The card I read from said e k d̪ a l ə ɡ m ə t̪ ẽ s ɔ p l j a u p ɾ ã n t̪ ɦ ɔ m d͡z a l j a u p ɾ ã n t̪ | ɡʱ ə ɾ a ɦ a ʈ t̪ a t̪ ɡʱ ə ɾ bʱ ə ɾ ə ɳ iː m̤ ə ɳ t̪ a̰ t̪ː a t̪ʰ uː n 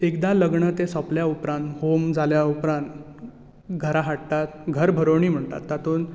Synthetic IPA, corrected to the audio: e k d̪ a l ə ɡ ɳ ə t̪ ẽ s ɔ p l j a u p ɾ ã n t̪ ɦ o m d͡z a l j a u p ɾ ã n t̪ | ɡʱ ə ɾ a ɦ a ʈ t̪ a t̪ ɡʱ ə ɾ bʱ ə ɾ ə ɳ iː m̤ ə ɳ t̪ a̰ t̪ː a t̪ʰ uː n